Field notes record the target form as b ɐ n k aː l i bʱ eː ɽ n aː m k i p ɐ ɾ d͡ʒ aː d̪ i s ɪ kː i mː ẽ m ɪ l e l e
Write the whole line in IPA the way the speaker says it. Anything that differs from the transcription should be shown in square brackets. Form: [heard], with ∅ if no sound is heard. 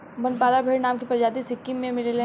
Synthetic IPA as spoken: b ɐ n [p] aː l [a] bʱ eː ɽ n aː m k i p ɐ ɾ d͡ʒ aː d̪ i s ɪ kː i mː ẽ m ɪ l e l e